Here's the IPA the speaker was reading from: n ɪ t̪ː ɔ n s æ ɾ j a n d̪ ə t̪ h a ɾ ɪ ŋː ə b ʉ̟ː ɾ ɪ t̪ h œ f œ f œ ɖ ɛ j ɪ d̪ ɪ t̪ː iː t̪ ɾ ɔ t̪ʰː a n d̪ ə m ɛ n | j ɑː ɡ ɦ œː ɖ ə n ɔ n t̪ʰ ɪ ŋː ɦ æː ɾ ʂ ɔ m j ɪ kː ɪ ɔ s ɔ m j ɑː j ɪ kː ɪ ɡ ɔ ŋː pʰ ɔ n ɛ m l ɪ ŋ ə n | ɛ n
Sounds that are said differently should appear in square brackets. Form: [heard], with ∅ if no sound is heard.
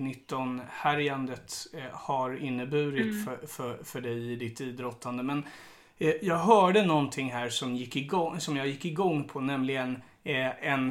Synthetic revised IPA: n ɪ t̪ː ɔ n [h] æ ɾ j a n d̪ ə t̪ h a ɾ ɪ [nː] ə b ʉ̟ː ɾ ɪ t̪ [f] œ f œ f œ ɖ ɛ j ɪ d̪ ɪ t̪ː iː [d̪] ɾ ɔ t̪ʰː a n d̪ ə m ɛ n | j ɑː ɡ ɦ œː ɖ ə n ɔ n t̪ʰ ɪ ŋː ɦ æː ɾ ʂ ɔ m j ɪ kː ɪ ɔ s ɔ m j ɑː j ɪ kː ɪ ɡ ɔ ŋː pʰ ɔ n ɛ m l ɪ [ɡ] ə n | ɛ n